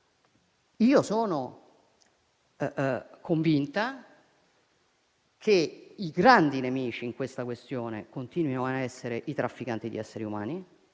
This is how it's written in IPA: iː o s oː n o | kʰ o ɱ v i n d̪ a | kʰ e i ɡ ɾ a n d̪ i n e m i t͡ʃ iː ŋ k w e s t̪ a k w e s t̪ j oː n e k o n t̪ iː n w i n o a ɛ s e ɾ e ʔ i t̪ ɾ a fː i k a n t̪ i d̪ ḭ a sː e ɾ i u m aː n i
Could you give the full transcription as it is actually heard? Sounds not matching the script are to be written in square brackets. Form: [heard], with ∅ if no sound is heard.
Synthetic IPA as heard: iː o s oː n o | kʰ o ɱ v i n [t̪] a | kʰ e i ɡ ɾ a n d̪ i n e m [iː] t͡ʃ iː ŋ k w e s t̪ a k w e s t̪ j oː n e k o n t̪ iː n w i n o a ɛ [sː] e ɾ e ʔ i t̪ ɾ a fː i k a n t̪ i d̪ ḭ [ɛ] sː e ɾ i u m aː n i